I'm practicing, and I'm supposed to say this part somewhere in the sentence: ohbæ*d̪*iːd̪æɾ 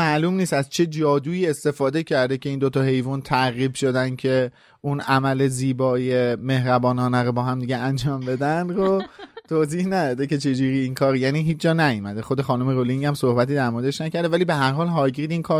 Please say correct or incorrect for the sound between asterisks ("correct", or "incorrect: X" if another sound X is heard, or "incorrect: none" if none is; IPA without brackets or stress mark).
incorrect: t̪